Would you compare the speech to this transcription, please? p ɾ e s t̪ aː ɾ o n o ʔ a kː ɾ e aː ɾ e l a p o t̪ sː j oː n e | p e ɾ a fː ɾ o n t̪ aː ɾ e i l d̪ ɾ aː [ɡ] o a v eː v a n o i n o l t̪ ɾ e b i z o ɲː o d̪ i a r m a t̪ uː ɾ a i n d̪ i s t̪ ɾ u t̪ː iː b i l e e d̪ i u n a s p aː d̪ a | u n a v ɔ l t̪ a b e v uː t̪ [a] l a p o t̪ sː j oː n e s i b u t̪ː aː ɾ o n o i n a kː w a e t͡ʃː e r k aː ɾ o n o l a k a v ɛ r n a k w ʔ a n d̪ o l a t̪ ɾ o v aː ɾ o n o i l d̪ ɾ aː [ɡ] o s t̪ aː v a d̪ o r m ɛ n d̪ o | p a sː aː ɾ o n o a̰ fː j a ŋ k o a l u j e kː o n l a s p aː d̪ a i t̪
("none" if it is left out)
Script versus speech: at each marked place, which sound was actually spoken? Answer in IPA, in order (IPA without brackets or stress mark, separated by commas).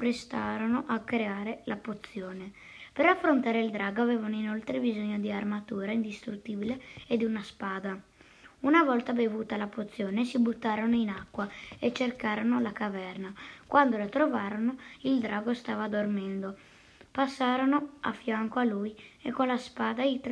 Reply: ɡ, a, ɡ